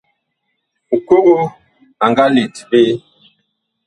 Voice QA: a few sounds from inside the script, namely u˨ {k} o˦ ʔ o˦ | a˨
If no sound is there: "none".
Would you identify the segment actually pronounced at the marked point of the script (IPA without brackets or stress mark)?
k